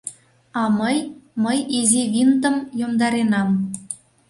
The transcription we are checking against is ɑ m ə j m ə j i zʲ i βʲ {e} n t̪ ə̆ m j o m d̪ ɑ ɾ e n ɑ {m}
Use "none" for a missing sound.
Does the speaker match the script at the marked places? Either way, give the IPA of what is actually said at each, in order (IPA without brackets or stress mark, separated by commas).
i, m